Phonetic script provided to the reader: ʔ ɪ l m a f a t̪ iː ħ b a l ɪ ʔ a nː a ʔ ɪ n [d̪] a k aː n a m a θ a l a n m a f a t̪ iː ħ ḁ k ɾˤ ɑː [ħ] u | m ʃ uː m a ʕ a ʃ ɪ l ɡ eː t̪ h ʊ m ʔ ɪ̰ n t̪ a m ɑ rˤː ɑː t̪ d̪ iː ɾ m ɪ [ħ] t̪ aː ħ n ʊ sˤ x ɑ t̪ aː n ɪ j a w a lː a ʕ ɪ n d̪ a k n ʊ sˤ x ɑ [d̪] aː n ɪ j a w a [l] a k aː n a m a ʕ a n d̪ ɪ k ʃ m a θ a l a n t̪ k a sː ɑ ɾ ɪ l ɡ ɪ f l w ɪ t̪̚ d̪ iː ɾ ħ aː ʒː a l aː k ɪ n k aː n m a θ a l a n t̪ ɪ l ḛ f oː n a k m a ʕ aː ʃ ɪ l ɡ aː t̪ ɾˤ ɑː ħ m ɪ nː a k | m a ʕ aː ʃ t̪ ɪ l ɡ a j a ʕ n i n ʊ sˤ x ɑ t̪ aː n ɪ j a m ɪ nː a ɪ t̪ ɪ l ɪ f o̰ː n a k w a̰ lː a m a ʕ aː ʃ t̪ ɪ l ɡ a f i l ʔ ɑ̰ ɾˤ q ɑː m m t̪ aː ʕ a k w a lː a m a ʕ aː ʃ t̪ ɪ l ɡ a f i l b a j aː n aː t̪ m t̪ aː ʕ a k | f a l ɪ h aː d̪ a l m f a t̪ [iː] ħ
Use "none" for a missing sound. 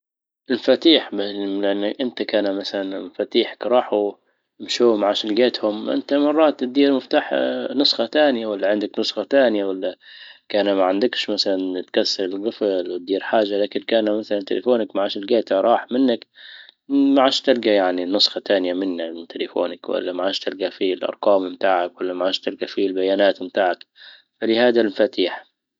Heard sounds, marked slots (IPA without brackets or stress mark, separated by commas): t̪, ħ, f, t̪, lː, iː